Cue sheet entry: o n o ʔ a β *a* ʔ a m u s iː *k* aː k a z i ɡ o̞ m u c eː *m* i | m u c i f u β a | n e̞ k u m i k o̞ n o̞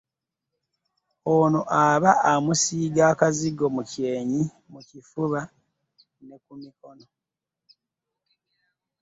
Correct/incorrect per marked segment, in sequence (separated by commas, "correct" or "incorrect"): correct, incorrect, incorrect